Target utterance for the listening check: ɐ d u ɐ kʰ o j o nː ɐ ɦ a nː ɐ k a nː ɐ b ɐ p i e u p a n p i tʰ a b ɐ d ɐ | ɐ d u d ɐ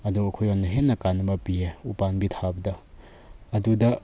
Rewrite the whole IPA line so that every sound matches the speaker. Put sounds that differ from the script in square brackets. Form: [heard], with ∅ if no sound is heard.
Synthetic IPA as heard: ɐ d u ɐ kʰ o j o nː ɐ ɦ [e] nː ɐ k a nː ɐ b ɐ p i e u p a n [b] i tʰ a b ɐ d ɐ | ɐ d u d ɐ